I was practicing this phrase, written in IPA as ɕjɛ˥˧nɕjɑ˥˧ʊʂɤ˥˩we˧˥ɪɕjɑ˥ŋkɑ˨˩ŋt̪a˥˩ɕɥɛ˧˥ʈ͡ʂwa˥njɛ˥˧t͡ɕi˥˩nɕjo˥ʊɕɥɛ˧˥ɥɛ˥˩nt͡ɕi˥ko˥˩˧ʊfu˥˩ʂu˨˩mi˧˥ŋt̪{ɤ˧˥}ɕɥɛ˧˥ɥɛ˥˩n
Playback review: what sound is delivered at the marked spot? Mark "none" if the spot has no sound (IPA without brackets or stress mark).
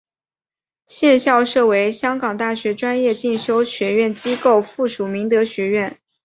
ɤ˧˥